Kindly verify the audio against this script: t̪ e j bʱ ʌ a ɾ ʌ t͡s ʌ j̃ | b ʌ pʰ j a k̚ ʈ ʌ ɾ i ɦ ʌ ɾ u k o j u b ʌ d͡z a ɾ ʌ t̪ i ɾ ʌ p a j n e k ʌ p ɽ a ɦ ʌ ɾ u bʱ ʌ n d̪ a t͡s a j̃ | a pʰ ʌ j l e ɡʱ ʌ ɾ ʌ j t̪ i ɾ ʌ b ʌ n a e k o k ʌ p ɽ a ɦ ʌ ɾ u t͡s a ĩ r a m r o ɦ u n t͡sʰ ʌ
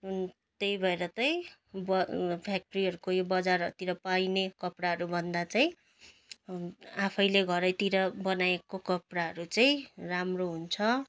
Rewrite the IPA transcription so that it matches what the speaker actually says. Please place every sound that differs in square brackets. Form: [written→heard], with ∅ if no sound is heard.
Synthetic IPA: t̪ e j bʱ ʌ [a→e] ɾ ʌ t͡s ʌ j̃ | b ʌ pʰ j a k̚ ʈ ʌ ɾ i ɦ ʌ ɾ u k o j [u→o] b ʌ d͡z a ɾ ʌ t̪ i ɾ ʌ p a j n e k ʌ p ɽ a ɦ ʌ ɾ u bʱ ʌ n d̪ a t͡s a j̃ | a pʰ ʌ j l e ɡʱ ʌ ɾ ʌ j t̪ i ɾ ʌ b ʌ n a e k o k ʌ p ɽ a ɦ ʌ ɾ u t͡s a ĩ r a m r o ɦ u n t͡sʰ ʌ